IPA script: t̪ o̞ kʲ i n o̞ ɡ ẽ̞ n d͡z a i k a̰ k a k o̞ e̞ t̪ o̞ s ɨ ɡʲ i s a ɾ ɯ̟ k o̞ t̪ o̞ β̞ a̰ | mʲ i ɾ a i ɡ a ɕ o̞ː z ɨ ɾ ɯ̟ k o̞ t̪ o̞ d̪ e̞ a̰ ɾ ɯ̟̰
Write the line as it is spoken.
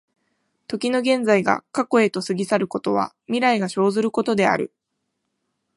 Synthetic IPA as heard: t̪ o̞ kʲ i n o̞ ɡ ẽ̞ n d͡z a i ɡ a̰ k a k o̞ e̞ t̪ o̞ s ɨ ɡʲ i s a ɾ ɯ̟ k o̞ t̪ o̞ β̞ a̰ | mʲ i ɾ a i ɡ a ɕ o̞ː z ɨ ɾ ɯ̟ k o̞ t̪ o̞ d̪ e̞ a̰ ɾ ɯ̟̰